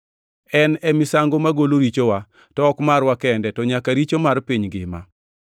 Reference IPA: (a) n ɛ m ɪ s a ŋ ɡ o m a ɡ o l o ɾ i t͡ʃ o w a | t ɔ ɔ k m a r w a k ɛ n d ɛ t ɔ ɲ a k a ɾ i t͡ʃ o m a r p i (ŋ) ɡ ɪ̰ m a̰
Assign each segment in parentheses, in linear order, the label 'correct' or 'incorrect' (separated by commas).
incorrect, incorrect